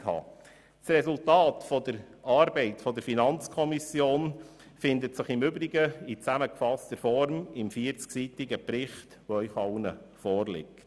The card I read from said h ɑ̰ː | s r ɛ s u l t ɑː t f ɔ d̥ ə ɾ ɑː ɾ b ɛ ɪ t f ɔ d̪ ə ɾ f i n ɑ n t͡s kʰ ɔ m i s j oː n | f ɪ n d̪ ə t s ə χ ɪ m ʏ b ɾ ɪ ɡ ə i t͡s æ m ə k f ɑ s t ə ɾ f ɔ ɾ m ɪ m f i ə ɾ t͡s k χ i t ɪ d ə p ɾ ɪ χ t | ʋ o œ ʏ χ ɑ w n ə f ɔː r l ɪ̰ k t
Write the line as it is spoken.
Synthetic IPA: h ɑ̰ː | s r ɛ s u l t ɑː t f ɔ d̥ ə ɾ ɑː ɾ b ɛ ɪ t f ɔ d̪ ə ɾ f i n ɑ n t͡s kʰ ɔ m i s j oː n | f ɪ n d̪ ə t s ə χ ɪ m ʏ b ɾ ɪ ɡ ə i t͡s æ m ə k f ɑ s t ə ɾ f ɔ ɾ m ɪ m f i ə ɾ t͡s k s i t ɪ ɡ ə p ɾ ɪ χ t | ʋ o œ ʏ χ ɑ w n ə f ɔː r l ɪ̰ k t